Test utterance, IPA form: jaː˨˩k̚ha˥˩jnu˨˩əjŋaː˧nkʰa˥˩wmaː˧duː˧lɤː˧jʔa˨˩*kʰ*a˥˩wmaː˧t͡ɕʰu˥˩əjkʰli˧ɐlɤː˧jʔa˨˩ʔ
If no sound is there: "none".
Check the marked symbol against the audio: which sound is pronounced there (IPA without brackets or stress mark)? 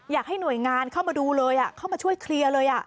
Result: kʰ